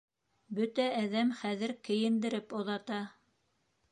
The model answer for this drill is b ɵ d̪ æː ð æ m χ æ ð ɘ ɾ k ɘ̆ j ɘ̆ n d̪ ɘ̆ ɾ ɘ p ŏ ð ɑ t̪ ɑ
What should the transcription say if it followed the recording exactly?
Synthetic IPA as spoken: b ɵ t̪ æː ð æ m χ æ ð ɘ ɾ k ɘ̆ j ɘ̆ n d̪ ɘ̆ ɾ ɘ p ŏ ð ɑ t̪ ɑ